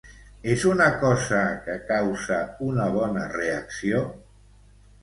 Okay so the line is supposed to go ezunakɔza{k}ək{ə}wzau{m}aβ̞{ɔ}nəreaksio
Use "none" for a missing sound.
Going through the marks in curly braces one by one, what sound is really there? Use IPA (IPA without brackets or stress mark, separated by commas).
k, a, n, ɔ